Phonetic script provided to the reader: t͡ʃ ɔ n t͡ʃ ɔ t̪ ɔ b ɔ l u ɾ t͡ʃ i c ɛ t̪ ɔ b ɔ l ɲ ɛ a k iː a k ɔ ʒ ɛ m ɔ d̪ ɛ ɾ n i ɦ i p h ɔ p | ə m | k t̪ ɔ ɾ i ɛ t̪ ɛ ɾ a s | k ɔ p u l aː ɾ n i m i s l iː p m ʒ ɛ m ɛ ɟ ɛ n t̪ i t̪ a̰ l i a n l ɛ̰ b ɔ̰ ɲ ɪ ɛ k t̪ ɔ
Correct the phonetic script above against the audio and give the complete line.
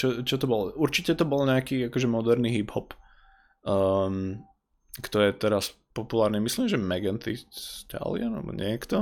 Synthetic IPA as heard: t͡ʃ ɔ t͡ʃ ɔ t̪ ɔ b ɔ l u ɾ t͡ʃ i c ɛ t̪ ɔ b ɔ l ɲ ɛ a k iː a k ɔ ʒ ɛ m ɔ d̪ ɛ ɾ n i ɦ i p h ɔ p | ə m | k t̪ ɔ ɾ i ɛ t̪ ɛ ɾ a s | p ɔ p u l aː ɾ n i m i s l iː m ʒ ɛ m ɛ ɡ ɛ n t̪ i t̪ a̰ l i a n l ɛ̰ b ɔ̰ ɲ ɪ ɛ k t̪ ɔ